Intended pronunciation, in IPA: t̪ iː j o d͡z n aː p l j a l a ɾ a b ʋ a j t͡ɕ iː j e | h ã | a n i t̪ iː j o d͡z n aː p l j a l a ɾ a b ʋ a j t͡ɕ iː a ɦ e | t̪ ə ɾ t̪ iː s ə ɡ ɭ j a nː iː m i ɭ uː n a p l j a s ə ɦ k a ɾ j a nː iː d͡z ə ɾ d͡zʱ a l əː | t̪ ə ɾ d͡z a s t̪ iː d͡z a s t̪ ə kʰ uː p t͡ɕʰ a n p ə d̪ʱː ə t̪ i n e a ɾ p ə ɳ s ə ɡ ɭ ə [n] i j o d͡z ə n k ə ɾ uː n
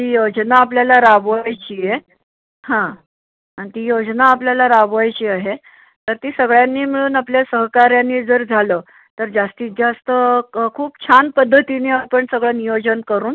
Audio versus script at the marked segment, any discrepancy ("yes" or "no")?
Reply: no